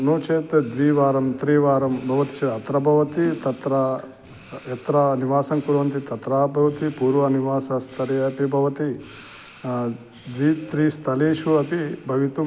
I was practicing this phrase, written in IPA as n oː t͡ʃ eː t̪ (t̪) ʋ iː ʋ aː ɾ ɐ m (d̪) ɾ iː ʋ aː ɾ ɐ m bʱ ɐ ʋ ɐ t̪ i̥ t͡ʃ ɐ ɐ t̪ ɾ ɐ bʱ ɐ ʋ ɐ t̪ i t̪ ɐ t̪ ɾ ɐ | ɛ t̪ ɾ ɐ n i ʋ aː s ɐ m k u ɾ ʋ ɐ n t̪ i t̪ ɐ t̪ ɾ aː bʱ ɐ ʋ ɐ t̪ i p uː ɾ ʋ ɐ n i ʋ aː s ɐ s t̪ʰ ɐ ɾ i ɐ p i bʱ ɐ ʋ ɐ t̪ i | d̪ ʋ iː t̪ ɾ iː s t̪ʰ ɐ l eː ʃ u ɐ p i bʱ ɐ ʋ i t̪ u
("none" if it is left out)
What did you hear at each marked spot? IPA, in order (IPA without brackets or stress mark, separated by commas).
d̪, t̪